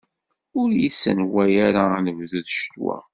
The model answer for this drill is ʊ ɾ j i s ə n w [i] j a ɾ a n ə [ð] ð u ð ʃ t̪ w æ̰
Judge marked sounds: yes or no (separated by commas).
no, no